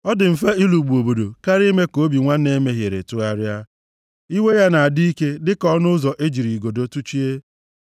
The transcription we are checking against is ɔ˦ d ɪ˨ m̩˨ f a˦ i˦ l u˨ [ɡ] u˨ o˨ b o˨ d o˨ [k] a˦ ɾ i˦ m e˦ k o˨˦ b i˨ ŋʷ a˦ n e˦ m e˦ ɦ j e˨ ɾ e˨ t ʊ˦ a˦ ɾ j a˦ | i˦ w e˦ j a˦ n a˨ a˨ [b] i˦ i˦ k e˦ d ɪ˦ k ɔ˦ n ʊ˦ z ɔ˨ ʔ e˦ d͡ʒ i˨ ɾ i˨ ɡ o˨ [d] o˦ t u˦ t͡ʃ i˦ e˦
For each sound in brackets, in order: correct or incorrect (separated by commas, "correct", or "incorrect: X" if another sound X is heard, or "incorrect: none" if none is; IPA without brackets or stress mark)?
incorrect: ɡ͡b, correct, incorrect: d, correct